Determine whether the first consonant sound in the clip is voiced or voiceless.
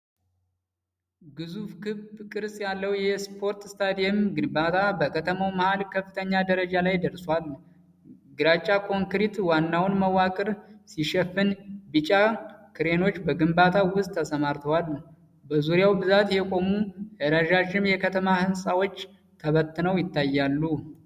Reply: voiced